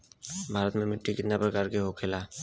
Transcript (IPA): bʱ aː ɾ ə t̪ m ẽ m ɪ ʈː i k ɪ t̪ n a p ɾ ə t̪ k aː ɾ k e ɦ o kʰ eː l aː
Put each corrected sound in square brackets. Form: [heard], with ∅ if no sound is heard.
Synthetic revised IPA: bʱ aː ɾ ə t̪ m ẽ m ɪ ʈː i k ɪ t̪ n a p ɾ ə [∅] k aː ɾ k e ɦ o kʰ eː l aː